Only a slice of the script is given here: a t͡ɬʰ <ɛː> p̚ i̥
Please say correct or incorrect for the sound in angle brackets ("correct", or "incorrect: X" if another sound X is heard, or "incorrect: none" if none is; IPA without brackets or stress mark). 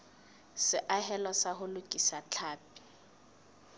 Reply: incorrect: aː